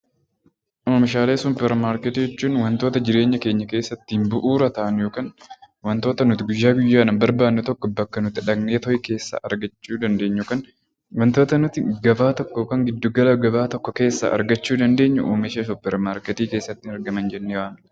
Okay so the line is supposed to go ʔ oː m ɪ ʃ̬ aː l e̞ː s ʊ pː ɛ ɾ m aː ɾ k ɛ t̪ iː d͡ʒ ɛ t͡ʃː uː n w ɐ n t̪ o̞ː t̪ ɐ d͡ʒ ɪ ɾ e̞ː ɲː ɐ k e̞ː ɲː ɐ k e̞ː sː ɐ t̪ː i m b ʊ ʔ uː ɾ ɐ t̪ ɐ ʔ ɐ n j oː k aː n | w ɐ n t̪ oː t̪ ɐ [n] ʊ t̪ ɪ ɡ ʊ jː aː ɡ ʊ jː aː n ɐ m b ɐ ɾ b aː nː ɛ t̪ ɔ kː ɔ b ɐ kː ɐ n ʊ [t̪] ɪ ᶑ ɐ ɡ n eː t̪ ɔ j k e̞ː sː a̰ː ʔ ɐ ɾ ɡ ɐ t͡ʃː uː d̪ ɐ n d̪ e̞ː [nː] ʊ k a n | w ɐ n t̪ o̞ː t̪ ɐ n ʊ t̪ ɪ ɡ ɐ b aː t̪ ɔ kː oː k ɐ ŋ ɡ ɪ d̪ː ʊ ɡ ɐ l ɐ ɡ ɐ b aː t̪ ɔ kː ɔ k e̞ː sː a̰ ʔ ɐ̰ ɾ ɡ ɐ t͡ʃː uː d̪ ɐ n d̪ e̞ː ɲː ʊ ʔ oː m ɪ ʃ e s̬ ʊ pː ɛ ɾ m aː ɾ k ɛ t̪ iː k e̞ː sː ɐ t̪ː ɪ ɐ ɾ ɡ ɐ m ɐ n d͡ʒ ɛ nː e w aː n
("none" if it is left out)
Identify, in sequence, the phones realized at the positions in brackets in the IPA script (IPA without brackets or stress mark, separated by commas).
n, t̪, ɲː